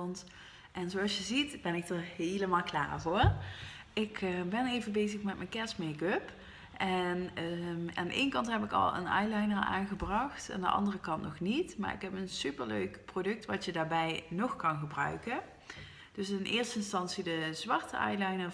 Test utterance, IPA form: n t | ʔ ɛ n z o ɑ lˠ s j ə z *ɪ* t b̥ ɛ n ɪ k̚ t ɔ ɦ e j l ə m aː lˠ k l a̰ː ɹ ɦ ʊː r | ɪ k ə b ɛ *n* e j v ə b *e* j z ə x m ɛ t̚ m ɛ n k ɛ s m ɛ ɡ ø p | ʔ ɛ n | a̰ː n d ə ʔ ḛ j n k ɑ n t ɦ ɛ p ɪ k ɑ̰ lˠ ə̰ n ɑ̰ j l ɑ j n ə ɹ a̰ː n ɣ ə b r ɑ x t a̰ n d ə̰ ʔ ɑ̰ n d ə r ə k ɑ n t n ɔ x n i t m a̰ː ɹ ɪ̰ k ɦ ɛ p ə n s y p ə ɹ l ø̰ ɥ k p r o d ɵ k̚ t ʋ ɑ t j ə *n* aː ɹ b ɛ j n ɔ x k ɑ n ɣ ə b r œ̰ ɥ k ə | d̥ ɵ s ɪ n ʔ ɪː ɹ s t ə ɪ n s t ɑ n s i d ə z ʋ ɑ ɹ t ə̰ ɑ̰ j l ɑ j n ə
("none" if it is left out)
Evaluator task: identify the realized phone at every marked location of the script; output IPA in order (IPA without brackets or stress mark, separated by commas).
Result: i, n, e, d